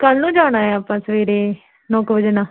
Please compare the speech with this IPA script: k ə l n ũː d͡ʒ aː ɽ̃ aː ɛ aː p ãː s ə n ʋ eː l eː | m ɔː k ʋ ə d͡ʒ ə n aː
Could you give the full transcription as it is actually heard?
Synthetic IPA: k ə l n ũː d͡ʒ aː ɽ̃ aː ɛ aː p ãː s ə ʋ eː ɾ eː | n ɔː k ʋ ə d͡ʒ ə n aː